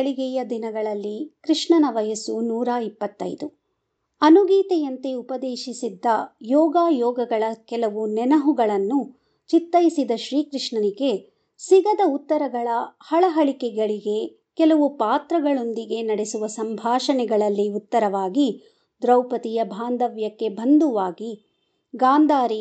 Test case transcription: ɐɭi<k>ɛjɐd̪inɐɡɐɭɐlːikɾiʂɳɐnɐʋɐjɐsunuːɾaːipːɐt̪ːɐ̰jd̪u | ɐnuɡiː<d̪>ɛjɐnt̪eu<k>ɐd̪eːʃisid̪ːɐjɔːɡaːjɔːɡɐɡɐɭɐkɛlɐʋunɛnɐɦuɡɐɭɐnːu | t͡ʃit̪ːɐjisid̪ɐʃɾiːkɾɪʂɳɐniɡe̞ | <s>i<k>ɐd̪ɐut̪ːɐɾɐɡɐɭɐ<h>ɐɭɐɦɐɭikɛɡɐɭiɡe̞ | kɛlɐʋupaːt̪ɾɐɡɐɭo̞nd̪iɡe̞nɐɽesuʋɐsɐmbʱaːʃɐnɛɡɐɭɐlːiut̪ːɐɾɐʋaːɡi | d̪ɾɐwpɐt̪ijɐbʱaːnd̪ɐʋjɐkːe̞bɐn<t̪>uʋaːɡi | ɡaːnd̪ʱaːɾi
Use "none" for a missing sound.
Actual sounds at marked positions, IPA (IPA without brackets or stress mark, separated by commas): ɡ, t̪, p, s, ɡ, h, d̪